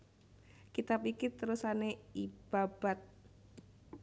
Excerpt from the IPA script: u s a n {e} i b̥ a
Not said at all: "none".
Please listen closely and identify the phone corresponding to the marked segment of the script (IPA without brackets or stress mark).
e